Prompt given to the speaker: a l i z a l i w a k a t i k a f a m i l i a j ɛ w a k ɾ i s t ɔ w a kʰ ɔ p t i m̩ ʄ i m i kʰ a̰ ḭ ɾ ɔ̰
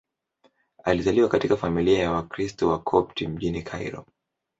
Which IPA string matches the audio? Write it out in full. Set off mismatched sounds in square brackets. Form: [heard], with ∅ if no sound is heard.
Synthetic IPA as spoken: a l i z a l i w a k a t i k a f a m i l i a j [a] w a k ɾ i s t ɔ w a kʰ ɔ p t i m̩ ʄ i [n] i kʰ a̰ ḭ ɾ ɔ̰